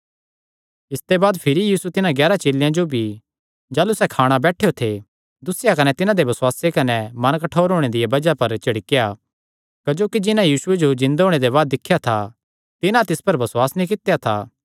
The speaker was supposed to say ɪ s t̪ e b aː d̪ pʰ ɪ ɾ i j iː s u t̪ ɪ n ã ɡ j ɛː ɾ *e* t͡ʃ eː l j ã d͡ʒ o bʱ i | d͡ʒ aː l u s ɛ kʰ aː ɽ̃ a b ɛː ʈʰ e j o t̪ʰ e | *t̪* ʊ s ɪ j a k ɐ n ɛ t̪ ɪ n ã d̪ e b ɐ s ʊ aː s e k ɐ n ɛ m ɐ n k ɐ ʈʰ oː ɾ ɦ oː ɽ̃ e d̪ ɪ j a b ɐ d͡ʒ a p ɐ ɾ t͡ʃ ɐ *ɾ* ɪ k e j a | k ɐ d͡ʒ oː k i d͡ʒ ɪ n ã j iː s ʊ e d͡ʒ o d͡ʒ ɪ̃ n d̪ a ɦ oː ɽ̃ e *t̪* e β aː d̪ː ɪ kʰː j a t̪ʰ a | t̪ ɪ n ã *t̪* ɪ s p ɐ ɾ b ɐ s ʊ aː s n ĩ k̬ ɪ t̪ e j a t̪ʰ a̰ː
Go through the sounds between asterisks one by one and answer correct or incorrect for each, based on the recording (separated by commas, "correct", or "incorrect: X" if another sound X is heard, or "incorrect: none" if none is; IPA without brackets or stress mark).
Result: incorrect: a, incorrect: d̪, incorrect: ɽ, incorrect: d̪, correct